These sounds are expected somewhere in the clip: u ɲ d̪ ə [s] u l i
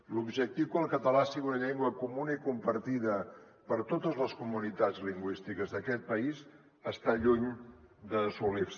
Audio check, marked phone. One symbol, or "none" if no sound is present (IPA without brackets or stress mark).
s